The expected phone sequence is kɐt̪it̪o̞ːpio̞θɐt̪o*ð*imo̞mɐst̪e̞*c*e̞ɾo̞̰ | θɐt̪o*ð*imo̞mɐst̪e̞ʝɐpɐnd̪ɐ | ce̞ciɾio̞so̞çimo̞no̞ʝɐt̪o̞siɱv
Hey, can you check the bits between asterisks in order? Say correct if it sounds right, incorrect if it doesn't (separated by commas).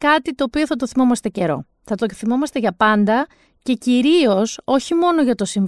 incorrect, correct, incorrect